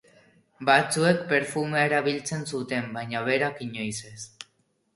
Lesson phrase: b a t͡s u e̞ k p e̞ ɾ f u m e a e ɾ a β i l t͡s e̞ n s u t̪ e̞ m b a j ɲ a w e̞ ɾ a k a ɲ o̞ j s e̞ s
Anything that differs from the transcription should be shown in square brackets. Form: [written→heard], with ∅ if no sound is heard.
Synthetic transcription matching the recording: b a t͡s u e̞ k p e̞ ɾ f u m e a e ɾ a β i l t͡s e̞ n s u t̪ e̞ m b a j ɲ a [w→β] e̞ ɾ a k [a→i] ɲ o̞ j s e̞ s